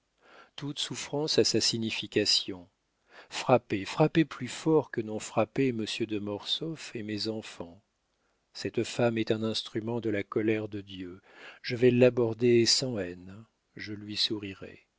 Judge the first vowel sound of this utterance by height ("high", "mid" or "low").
high